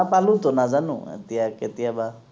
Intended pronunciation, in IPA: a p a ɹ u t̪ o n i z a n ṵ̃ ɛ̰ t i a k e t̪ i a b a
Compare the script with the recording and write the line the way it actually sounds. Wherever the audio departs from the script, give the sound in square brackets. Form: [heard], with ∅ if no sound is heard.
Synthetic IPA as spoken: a p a [l] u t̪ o n [a] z a n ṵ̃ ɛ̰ t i a k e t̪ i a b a

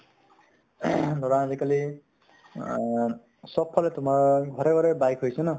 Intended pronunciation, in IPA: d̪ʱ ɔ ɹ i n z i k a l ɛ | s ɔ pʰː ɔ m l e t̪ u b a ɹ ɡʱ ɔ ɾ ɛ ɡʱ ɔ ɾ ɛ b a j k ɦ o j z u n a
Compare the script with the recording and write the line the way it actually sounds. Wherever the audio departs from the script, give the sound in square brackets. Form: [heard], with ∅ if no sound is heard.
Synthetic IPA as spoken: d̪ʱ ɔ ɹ [a] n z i k a l [i] | s ɔ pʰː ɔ [∅] l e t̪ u [m] a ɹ ɡʱ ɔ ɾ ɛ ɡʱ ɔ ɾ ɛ b a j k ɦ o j [s] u n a

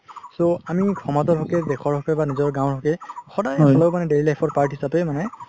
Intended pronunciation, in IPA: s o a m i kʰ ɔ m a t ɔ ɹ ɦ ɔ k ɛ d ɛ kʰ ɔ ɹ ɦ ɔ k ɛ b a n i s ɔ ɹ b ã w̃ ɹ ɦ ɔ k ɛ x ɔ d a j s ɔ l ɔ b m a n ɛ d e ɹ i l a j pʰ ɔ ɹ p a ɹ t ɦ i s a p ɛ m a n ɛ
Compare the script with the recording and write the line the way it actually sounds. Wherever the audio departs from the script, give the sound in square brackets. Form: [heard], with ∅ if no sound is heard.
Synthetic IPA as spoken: s o a m i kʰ ɔ m a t ɔ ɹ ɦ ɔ k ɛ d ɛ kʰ ɔ ɹ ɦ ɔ k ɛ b a n i [z] ɔ ɹ [ɡ] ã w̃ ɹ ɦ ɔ k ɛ x ɔ d a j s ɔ l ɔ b m a n ɛ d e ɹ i l a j pʰ ɔ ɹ p a ɹ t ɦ i s a p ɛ m a n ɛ

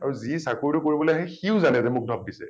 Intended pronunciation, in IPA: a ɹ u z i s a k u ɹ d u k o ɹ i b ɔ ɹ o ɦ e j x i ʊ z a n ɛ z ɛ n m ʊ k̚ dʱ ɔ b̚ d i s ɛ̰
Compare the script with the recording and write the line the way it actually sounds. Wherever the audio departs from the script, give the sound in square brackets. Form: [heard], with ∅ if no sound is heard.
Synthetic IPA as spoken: a ɹ u z i s a k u ɹ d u k o ɹ i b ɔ [l] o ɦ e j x i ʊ z a n ɛ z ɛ [∅] m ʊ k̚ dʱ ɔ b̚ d i s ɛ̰

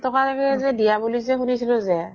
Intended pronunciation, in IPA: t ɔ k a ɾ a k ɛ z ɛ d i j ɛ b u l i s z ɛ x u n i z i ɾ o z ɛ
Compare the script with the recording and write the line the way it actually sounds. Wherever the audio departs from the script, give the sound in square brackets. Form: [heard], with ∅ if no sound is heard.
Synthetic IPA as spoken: t ɔ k a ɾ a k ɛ z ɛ d i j [a] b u l i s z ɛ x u n i [s] i [l] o z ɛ

